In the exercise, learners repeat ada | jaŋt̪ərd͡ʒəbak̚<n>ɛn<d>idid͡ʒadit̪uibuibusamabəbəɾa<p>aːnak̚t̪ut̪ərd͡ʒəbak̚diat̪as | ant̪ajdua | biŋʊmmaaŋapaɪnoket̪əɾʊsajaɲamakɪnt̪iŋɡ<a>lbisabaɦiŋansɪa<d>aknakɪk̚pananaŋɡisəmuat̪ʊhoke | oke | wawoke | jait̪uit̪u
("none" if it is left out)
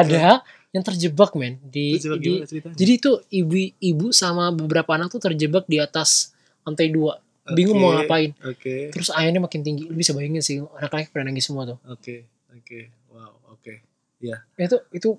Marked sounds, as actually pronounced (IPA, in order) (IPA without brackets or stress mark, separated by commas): m, d, p, i, n